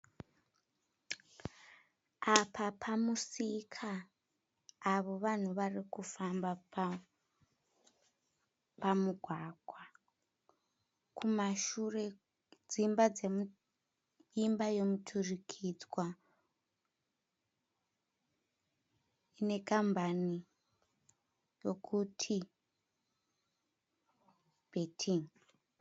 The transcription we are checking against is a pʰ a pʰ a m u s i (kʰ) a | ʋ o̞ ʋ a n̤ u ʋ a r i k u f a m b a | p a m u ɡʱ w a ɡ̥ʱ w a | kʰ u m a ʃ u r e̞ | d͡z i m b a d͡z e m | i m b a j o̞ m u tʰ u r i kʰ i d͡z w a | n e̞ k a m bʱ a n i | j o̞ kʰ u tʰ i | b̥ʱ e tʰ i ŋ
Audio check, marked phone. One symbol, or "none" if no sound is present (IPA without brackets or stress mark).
kʰ